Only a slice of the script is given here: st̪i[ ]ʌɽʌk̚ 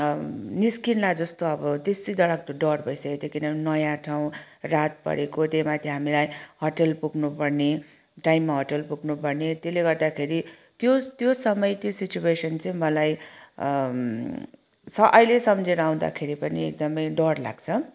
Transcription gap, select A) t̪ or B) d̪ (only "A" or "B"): B